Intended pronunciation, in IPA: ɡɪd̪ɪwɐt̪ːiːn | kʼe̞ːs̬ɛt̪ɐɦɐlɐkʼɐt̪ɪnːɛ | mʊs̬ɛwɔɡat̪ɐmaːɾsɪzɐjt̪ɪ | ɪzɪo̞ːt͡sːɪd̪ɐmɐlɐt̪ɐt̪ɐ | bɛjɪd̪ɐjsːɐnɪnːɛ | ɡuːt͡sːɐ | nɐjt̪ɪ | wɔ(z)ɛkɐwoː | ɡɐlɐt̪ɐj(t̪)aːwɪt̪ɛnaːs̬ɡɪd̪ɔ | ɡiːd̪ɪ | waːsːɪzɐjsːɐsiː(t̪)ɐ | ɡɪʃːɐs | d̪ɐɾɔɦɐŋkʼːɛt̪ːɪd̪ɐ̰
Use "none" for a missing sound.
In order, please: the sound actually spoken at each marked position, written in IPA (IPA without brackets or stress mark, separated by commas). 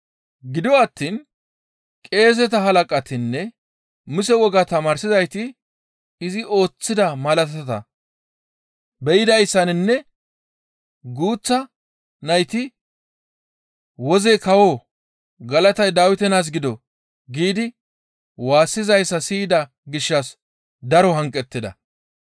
z, d̪, d̪